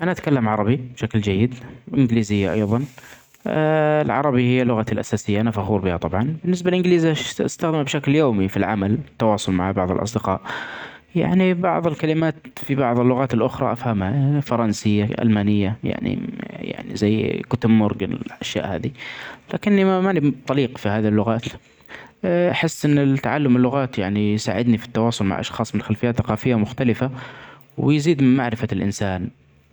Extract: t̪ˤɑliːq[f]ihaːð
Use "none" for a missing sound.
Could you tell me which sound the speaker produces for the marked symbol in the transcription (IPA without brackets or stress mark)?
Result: f